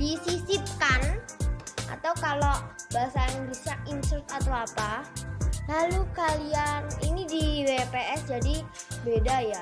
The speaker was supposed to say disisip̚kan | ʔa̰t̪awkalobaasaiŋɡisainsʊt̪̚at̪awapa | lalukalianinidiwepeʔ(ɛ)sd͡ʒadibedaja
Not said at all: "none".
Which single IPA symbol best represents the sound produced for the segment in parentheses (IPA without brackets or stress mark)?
ɛ